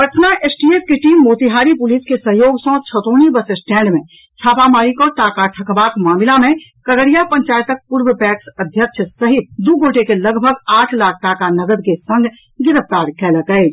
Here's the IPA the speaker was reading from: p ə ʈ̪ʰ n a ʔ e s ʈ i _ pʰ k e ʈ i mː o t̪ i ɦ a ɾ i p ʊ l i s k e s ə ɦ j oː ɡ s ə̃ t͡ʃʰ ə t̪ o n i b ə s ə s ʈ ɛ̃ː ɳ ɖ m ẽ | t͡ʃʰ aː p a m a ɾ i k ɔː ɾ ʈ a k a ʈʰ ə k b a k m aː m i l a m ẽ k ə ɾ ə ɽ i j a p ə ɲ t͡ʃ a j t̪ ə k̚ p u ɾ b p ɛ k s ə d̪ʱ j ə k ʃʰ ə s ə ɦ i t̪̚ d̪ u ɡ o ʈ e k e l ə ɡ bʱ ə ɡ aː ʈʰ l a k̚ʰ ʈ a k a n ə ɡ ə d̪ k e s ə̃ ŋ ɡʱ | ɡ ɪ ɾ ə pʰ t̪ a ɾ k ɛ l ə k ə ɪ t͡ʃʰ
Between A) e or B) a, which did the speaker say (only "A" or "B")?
A